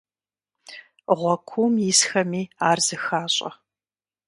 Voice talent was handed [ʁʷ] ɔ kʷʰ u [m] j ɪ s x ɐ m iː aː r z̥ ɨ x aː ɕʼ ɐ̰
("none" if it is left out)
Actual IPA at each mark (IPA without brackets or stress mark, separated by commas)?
ʁʷ, m